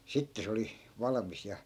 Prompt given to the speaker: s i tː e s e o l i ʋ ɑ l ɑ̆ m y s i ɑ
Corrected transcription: s i tː e s e o l i ʋ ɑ l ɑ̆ m i s j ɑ